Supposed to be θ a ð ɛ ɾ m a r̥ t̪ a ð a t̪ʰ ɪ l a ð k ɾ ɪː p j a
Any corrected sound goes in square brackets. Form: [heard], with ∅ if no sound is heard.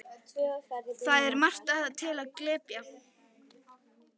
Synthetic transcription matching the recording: θ a ð ɛ ɾ m a r̥ t̪ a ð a t̪ʰ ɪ l a ð k [l] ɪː p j a